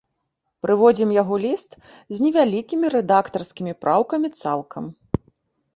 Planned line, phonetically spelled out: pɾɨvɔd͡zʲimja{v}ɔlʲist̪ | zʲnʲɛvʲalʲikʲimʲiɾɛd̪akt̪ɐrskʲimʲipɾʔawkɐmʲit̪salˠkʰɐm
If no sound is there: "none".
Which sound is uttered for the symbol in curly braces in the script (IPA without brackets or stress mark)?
ɣ